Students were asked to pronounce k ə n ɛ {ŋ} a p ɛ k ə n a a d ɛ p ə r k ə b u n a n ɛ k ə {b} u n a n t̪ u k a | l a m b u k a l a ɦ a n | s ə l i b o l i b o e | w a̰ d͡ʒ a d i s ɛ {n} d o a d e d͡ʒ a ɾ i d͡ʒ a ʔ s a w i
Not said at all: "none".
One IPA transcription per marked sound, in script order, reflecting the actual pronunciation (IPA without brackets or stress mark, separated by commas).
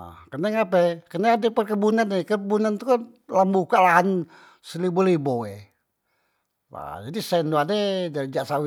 ŋ, b, n